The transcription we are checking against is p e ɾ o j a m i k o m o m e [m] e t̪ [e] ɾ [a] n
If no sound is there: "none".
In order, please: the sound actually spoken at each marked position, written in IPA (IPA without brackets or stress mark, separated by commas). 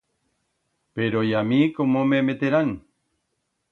m, e, a